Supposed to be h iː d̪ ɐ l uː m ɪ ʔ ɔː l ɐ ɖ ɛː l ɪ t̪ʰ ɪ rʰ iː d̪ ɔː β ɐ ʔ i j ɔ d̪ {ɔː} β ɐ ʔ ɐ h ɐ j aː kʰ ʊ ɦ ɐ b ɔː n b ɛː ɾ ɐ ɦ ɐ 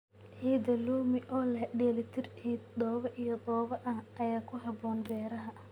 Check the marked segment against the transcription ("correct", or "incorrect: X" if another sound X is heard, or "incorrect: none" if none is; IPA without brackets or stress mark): correct